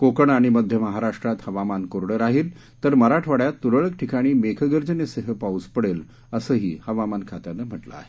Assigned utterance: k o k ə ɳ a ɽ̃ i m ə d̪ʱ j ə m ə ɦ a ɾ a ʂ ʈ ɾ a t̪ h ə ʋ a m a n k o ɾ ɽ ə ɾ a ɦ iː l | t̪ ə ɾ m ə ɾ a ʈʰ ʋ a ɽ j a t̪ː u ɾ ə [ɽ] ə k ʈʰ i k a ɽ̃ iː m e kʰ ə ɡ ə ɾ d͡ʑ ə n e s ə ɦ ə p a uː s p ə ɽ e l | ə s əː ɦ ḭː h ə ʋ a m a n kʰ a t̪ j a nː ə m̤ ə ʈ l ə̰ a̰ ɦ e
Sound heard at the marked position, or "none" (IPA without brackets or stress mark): ɭ